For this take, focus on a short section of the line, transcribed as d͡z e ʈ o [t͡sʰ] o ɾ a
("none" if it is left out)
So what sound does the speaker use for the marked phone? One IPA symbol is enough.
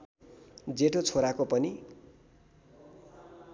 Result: t͡sʰ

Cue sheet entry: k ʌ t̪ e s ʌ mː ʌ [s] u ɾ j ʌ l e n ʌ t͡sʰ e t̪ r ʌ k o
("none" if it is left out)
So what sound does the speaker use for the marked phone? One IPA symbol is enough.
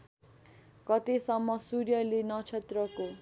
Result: s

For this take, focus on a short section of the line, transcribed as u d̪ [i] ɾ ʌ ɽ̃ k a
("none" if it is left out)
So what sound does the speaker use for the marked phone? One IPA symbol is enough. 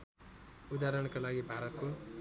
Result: a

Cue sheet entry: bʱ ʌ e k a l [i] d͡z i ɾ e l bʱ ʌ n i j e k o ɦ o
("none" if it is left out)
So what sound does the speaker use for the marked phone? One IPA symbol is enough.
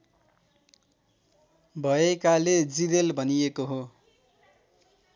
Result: e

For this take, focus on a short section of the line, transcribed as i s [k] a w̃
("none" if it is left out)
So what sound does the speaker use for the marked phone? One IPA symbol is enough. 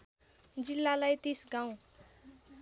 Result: ɡ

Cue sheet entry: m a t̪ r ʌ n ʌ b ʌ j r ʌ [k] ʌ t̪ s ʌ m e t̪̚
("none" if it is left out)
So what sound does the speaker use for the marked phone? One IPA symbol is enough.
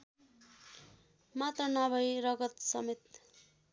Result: ɡ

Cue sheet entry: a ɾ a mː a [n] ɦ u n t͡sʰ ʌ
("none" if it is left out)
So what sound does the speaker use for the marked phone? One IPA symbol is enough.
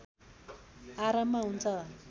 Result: none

